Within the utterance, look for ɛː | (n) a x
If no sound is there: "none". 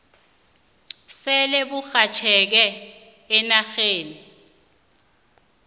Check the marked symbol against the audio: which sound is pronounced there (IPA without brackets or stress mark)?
n